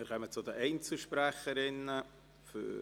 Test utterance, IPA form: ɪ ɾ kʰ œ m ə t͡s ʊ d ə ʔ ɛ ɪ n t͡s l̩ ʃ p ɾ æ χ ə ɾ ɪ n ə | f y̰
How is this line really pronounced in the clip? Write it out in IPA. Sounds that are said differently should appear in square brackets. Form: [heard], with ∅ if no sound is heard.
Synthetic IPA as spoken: ɪ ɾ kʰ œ m ə t͡s ʊ d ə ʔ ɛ ɪ n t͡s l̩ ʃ p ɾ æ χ ə ɾ ɪ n ə | f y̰